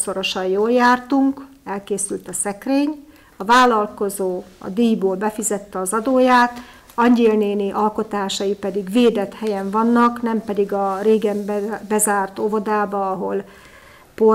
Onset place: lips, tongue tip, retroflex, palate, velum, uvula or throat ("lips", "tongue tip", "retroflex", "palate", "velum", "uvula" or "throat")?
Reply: tongue tip